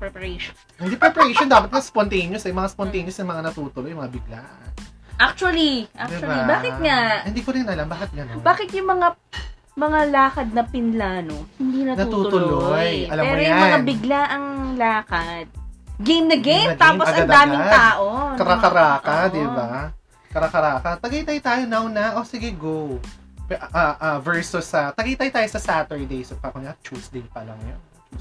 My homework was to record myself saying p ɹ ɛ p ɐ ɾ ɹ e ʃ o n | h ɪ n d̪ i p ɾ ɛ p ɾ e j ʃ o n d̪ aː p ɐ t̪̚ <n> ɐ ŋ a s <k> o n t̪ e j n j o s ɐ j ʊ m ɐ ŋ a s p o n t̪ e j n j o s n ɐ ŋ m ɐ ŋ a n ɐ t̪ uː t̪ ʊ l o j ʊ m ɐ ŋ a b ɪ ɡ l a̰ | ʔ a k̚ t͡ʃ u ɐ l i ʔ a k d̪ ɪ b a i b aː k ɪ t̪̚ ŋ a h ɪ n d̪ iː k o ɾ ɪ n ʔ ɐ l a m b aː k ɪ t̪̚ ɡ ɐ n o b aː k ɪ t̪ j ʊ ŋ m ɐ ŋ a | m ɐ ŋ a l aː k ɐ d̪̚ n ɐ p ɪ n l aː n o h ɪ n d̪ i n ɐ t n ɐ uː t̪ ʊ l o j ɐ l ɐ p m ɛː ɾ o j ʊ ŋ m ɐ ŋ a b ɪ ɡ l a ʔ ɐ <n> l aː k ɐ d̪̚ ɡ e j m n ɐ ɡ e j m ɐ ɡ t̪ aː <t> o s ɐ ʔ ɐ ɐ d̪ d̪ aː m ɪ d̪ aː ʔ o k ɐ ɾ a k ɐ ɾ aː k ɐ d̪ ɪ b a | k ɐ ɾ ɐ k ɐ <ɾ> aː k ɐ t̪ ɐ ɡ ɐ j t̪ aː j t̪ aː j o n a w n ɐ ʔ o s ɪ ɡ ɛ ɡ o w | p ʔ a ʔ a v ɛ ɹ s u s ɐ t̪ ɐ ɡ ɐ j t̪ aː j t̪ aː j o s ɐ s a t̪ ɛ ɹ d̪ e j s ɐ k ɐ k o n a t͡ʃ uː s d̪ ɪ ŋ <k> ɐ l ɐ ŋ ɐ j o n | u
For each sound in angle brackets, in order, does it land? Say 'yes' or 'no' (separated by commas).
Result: no, no, no, no, yes, no